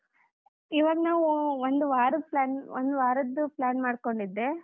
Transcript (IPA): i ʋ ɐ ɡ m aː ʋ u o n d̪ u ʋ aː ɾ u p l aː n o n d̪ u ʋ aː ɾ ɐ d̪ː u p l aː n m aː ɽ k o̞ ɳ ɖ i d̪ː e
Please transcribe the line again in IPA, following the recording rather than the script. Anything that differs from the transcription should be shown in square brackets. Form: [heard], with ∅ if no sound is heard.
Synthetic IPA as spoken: i ʋ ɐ ɡ [n] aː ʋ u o n d̪ u ʋ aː ɾ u p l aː n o n d̪ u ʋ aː ɾ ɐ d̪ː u p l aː n m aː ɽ k o̞ ɳ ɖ i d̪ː e